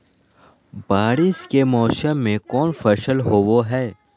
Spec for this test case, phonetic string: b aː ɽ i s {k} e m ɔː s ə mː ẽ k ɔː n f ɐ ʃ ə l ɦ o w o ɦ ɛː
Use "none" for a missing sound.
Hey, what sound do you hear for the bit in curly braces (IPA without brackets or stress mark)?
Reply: k